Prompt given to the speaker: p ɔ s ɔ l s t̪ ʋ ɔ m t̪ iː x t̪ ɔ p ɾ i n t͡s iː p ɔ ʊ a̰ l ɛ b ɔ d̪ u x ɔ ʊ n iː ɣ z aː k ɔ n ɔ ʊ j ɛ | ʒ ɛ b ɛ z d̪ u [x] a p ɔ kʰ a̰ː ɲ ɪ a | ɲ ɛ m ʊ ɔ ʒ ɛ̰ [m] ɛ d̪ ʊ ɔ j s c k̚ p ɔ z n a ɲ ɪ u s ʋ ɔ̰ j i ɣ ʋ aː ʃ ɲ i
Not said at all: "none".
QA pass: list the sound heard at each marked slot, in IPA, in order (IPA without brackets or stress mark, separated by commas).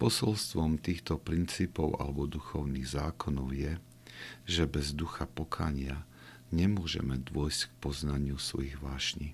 x, m